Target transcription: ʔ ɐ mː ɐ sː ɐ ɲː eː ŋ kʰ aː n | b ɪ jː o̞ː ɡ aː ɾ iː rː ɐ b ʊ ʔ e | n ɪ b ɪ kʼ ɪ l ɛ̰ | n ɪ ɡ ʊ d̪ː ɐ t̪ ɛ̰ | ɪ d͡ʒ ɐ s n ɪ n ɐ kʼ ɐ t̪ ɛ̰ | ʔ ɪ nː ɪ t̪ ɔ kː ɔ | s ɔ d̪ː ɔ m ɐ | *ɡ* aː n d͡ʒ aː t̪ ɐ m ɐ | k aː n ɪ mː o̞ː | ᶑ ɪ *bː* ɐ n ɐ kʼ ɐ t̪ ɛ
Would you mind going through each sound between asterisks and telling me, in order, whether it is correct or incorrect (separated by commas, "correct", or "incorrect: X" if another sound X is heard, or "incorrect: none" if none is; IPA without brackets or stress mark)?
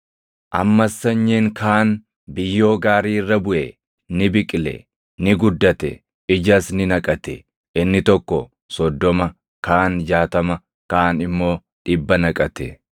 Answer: incorrect: k, correct